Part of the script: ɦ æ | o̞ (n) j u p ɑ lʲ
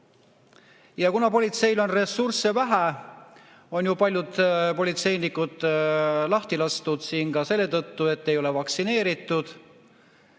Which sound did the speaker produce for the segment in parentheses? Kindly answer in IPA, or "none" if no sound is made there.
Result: n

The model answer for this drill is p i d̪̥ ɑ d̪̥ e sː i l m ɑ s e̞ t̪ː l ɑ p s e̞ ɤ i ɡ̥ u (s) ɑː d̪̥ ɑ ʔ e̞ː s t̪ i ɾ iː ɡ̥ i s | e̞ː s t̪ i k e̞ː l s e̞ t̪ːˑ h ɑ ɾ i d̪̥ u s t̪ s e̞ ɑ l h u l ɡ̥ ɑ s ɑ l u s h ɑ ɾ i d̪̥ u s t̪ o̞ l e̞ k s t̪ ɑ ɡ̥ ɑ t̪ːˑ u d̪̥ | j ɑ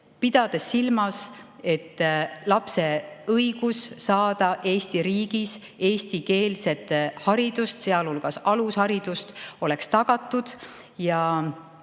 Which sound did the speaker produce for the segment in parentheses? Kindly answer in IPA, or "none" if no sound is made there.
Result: sː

